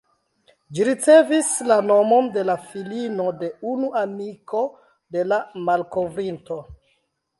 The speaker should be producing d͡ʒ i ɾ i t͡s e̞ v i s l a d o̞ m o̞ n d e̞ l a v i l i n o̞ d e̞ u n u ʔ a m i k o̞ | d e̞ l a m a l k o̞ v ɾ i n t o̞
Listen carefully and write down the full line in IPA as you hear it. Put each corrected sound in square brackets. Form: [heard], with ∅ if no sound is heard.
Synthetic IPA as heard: d͡ʒ i ɾ i t͡s e̞ v i s l a [n] o̞ m o̞ n d e̞ l a [f] i l i n o̞ d e̞ u n u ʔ a m i k o̞ | d e̞ l a m a l k o̞ v ɾ i n t o̞